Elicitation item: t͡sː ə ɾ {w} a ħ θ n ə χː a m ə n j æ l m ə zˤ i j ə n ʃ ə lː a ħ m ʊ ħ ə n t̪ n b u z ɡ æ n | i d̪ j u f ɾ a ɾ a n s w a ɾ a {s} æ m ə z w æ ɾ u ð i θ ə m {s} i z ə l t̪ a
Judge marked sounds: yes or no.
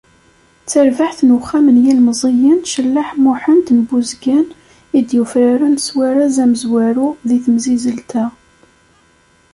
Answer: no, no, no

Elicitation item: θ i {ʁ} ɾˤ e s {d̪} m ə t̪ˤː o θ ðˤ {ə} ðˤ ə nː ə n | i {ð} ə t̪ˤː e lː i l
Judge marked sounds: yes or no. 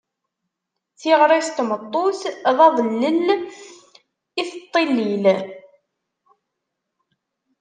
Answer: yes, no, no, no

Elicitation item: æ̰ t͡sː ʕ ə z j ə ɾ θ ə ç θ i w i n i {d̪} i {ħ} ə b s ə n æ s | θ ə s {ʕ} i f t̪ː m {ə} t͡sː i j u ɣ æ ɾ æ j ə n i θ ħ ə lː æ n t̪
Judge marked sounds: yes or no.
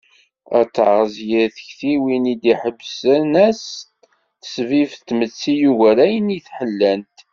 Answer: yes, yes, no, yes

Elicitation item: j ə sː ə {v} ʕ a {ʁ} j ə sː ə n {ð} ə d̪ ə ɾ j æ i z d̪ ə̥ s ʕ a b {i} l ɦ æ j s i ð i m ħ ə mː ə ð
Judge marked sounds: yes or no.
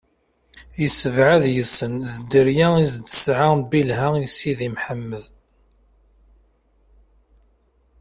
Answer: yes, no, yes, yes

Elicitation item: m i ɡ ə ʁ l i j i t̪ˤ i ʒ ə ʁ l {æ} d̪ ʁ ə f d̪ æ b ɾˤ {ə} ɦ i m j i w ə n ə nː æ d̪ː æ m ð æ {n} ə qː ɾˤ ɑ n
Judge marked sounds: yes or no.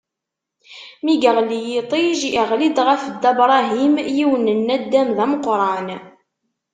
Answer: no, no, no

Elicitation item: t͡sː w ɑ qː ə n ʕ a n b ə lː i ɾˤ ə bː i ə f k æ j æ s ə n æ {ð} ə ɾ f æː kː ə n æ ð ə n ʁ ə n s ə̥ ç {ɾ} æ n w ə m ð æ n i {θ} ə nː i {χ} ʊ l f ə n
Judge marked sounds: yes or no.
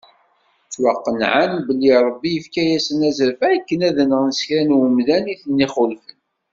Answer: no, yes, yes, yes

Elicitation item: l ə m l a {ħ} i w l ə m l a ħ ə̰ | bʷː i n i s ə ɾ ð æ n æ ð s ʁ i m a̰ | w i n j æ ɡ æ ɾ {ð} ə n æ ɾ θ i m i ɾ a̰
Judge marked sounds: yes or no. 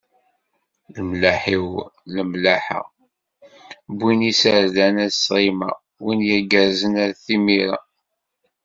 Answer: yes, no

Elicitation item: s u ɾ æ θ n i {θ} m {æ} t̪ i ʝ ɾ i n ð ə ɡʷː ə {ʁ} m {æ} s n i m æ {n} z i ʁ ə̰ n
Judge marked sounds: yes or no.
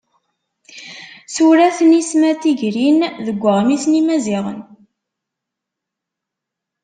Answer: no, yes, yes, no, no

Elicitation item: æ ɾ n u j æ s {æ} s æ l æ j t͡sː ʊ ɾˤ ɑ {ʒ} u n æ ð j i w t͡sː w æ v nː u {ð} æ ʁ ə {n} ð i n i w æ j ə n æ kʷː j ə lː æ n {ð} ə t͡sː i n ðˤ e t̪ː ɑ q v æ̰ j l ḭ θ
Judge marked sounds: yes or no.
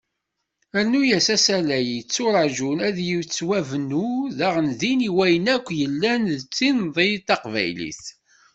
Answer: yes, yes, yes, yes, yes

